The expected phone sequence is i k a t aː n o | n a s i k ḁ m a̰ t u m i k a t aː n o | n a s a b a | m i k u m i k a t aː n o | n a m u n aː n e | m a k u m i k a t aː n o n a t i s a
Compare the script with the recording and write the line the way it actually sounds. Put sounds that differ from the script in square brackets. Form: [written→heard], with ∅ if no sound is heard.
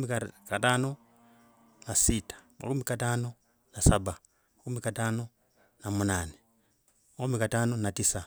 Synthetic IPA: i k a t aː n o | n a s i [k→t] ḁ m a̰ [t→k] u m i k a t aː n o | n a s a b a | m [i→a] k u m i k a t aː n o | n a m u n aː n e | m a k u m i k a t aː n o n a t i s a

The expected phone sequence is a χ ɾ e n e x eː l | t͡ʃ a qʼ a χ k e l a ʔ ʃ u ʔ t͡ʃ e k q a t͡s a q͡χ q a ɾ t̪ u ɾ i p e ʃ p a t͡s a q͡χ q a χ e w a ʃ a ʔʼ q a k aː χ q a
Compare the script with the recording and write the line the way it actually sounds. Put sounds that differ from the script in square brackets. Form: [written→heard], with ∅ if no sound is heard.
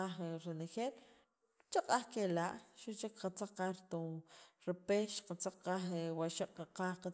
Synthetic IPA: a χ ɾ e n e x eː l | t͡ʃ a qʼ a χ k e l a ʔ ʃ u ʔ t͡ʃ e k q a t͡s a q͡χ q a ɾ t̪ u ɾ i p e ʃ [p→q] a t͡s a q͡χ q a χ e w a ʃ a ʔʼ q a [k→q] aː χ q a

